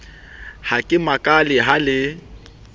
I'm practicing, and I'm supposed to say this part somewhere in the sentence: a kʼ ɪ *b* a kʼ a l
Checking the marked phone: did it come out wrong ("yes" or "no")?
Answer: yes